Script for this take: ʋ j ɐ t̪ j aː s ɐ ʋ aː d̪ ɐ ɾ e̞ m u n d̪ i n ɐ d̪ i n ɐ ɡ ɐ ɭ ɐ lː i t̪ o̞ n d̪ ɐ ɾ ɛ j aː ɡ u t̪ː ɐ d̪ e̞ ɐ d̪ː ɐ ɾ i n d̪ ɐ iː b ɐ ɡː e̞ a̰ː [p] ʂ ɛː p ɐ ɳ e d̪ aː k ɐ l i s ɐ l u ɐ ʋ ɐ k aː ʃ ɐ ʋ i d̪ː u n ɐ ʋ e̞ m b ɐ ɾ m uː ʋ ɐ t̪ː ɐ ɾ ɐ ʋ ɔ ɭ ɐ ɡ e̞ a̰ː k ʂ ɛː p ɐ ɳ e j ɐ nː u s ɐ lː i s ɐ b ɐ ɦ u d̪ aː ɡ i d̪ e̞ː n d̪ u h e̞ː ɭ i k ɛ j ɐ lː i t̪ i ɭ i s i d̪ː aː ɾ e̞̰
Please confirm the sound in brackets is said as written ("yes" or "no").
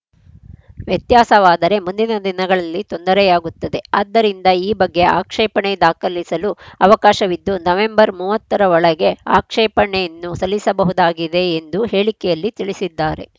no